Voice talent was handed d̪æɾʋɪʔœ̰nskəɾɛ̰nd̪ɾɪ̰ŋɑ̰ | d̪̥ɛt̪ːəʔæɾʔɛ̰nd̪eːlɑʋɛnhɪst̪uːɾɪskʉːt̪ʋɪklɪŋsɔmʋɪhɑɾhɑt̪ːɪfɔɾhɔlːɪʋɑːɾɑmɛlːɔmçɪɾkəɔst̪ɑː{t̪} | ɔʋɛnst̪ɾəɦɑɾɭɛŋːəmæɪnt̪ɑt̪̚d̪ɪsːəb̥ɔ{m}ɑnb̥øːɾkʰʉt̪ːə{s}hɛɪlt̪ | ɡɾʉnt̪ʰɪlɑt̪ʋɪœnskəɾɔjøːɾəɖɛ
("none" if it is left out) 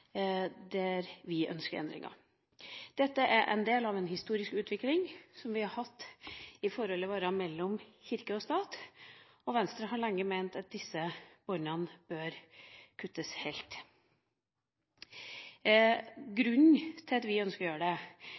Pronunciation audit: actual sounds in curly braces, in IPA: t̪, n, s

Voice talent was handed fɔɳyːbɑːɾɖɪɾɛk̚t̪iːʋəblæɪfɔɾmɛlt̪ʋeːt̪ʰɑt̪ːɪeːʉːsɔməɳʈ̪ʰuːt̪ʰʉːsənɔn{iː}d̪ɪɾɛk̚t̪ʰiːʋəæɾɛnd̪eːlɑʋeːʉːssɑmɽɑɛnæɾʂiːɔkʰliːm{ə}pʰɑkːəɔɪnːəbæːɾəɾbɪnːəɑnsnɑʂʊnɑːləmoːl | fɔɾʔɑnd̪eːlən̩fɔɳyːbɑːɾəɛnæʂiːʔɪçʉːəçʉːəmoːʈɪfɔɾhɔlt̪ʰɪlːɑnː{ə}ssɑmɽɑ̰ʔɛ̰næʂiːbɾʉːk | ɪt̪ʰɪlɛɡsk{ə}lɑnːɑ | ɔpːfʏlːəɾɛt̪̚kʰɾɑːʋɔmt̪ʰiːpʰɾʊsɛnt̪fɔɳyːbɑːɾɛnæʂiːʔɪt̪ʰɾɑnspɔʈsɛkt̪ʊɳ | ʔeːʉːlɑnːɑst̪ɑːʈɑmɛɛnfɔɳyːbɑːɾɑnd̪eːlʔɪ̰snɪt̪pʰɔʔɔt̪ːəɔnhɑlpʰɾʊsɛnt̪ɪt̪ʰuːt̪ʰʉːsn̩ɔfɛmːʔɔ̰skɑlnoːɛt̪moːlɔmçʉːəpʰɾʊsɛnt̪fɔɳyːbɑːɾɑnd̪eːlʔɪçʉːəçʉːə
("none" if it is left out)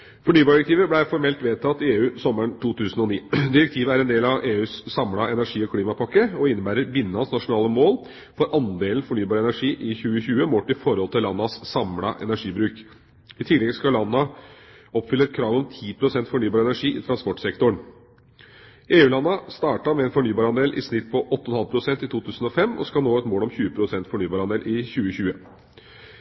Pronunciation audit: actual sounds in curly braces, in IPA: iː, ɑ, ɑ, ɑ

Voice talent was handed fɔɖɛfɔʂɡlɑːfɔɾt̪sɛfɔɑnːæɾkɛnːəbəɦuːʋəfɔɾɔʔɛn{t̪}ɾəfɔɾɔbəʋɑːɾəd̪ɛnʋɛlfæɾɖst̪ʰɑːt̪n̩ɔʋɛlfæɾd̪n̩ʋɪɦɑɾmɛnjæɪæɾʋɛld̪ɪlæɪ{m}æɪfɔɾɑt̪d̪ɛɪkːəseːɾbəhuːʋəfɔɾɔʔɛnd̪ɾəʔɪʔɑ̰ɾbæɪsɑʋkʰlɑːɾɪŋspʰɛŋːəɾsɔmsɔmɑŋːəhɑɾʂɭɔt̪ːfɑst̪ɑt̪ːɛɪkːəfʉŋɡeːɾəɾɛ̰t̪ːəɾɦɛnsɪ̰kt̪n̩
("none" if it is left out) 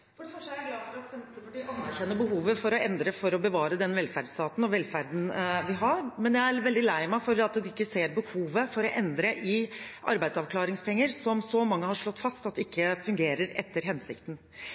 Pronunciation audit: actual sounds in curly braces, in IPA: d̪, m

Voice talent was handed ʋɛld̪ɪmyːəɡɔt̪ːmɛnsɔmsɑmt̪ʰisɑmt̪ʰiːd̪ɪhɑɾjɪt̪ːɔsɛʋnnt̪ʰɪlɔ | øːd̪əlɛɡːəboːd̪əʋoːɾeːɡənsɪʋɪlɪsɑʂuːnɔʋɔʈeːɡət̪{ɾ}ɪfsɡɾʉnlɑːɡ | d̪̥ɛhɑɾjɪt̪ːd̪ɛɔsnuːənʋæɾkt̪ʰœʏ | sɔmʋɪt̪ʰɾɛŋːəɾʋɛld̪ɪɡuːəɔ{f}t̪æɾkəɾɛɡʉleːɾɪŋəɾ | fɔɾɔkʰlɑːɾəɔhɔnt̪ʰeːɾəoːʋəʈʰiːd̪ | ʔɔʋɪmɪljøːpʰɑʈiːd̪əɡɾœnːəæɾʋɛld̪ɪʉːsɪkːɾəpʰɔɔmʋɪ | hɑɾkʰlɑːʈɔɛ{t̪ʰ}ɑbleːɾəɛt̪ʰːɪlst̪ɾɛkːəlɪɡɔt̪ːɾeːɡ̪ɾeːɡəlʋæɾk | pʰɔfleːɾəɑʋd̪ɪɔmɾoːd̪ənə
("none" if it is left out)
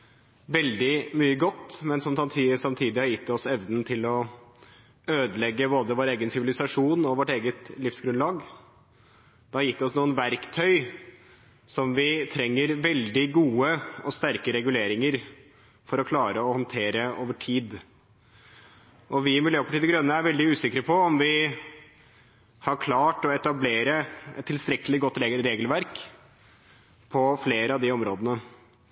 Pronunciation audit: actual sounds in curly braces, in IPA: l, s, t̪

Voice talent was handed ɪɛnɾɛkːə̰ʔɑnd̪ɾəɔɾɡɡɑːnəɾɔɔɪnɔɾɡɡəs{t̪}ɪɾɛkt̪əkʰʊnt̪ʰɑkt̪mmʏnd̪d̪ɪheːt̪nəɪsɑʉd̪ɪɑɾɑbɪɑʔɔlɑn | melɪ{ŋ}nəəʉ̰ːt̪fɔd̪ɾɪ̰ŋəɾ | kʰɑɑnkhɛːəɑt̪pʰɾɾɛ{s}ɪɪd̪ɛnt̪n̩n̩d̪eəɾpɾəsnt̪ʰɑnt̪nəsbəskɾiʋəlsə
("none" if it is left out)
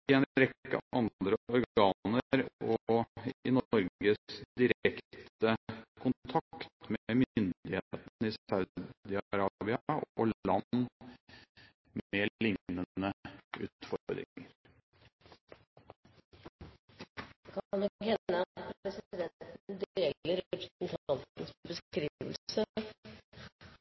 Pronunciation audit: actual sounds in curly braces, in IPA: d̪, ŋ, s

